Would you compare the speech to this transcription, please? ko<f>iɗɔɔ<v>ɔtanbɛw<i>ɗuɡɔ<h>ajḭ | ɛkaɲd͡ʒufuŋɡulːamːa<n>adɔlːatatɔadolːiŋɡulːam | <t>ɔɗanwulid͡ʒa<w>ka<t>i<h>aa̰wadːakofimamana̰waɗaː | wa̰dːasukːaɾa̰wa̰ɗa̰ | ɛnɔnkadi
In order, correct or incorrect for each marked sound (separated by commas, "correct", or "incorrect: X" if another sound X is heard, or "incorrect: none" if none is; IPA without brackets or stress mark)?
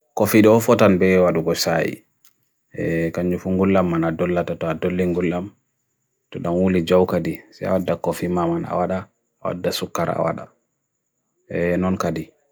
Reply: correct, incorrect: f, incorrect: a, incorrect: s, correct, correct, correct, incorrect: d, incorrect: s